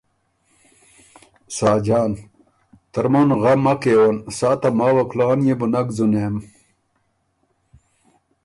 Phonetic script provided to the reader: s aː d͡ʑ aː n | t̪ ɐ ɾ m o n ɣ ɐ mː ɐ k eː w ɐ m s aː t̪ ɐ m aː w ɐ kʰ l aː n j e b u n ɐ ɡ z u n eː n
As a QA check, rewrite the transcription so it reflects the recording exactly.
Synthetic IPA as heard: s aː d͡ʑ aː n | t̪ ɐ ɾ m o n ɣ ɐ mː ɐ k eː w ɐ n s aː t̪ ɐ m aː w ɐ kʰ l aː n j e b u n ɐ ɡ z u n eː m